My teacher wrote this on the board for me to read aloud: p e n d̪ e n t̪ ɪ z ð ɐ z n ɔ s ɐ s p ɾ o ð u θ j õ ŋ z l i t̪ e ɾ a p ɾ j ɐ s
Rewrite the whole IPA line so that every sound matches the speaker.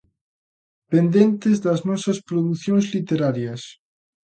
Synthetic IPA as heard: p e n d̪ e n t̪ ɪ z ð ɐ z n ɔ s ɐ s p ɾ o ð u θ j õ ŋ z l i t̪ e ɾ a ɾ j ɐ s